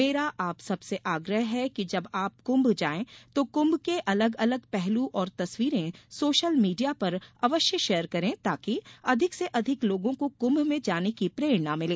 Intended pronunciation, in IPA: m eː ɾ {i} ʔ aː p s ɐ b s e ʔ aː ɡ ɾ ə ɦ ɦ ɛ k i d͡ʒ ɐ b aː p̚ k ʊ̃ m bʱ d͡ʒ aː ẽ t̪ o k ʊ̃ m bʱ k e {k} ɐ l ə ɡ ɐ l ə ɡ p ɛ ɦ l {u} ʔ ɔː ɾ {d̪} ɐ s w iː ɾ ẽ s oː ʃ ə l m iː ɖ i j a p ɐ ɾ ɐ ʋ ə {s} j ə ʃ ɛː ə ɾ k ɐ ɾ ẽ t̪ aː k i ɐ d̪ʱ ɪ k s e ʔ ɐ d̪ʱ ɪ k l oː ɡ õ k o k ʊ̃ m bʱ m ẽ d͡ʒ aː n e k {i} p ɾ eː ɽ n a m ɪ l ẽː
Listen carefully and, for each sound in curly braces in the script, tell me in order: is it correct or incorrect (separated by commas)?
incorrect, incorrect, correct, incorrect, incorrect, correct